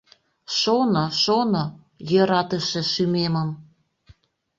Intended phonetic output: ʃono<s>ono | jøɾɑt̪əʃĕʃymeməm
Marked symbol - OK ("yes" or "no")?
no